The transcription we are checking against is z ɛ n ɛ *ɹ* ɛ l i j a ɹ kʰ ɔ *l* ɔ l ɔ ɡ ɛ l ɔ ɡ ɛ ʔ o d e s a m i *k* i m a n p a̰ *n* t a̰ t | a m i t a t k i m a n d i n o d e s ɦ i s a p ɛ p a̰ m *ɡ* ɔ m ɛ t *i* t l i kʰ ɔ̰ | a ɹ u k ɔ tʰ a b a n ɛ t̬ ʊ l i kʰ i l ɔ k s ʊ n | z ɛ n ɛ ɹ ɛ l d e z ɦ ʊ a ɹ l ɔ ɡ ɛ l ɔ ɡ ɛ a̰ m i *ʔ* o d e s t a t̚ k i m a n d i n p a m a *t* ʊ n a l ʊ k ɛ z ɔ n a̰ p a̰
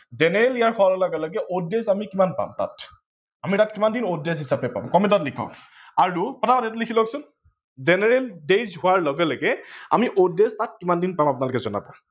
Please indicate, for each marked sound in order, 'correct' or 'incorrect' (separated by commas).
correct, correct, correct, incorrect, incorrect, incorrect, correct, incorrect